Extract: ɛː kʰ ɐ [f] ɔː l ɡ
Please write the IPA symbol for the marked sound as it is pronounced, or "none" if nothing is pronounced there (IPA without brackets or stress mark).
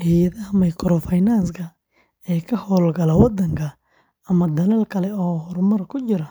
h